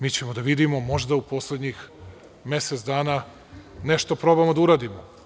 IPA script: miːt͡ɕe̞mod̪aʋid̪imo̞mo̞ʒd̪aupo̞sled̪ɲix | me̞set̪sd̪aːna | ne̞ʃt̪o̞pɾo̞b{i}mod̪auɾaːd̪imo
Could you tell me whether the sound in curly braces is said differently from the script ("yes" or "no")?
yes